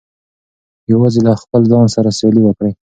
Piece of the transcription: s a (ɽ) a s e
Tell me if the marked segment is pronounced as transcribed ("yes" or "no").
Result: no